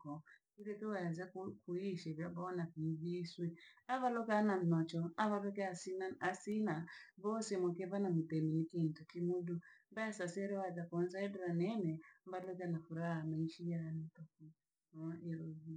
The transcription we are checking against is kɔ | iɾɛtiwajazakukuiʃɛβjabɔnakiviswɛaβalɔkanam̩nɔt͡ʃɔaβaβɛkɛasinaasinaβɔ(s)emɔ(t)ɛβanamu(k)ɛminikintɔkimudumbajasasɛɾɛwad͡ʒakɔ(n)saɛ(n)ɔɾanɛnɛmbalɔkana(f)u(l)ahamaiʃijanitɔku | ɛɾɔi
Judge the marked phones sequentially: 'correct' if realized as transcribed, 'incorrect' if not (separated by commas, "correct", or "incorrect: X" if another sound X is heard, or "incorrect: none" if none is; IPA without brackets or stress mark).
correct, incorrect: k, incorrect: t, correct, incorrect: d, correct, incorrect: ɾ